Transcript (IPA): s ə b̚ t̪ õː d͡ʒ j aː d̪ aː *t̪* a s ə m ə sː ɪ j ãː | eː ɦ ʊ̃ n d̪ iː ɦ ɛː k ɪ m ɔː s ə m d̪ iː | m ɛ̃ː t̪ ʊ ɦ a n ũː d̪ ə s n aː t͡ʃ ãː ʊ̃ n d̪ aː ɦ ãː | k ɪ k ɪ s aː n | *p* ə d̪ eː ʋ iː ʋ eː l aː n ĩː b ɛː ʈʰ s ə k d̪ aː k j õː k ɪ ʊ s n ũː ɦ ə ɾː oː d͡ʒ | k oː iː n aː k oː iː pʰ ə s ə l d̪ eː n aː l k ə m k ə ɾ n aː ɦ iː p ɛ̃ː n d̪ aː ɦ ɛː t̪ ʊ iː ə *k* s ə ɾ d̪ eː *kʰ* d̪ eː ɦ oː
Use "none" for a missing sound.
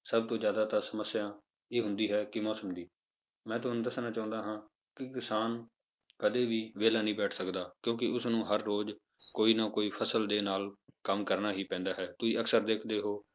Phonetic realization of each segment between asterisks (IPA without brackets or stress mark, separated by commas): t̪, k, k, kʰ